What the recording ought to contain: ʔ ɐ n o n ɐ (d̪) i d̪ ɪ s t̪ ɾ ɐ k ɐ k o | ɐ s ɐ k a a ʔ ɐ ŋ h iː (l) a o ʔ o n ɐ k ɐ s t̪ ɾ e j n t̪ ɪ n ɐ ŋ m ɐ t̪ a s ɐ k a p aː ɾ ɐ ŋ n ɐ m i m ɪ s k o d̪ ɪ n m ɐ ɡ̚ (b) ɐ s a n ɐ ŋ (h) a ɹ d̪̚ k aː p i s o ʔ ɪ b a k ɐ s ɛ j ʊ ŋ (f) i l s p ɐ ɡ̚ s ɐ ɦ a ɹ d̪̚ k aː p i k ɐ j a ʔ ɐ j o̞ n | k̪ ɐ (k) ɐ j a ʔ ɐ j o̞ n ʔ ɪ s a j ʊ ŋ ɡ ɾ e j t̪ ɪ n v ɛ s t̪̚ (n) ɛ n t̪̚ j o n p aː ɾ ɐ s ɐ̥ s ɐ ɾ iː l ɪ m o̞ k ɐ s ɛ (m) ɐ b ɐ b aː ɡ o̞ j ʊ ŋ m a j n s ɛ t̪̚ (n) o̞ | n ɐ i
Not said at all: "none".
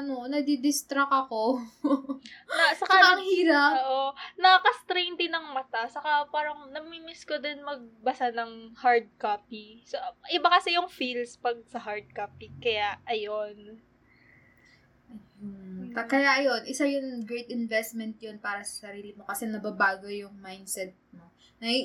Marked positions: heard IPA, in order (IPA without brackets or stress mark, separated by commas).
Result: d̪, ɾ, b, h, f, k, m, n, m